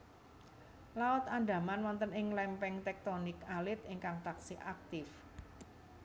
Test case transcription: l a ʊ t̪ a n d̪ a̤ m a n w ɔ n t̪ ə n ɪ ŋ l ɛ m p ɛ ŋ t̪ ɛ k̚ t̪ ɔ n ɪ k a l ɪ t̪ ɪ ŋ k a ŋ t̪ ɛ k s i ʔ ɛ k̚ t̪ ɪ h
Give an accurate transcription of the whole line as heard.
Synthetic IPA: l a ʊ t̪ a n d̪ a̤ m a n w ɔ n t̪ ə n ɪ ŋ l ɛ m p ɛ ŋ t̪ ɛ k̚ t̪ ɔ n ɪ k a l ɪ t̪ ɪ ŋ k a ŋ t̪ a k s i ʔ a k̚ t̪ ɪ f